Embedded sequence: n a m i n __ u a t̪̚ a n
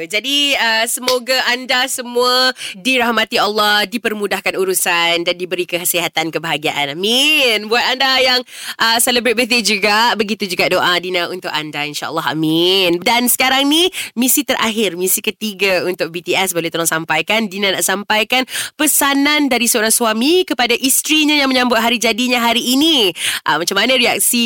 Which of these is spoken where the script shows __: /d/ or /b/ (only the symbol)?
b